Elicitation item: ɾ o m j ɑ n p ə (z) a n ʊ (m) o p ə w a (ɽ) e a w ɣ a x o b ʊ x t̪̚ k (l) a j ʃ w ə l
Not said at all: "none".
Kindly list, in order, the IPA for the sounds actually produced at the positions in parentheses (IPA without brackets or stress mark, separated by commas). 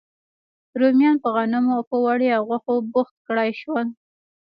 ɣ, m, ɽ, ɽ